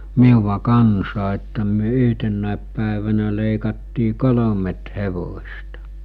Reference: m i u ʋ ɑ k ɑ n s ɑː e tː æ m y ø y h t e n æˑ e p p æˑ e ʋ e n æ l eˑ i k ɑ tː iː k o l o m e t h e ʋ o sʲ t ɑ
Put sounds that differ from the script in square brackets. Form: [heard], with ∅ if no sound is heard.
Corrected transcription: m i u ʋ ɑ k ɑ n s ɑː e tː æ m y ø y h t e [nː] æˑ e p p æˑ e ʋ [æ] n æ l eˑ i k ɑ tː iː k o l o m e t h e ʋ o sʲ t ɑ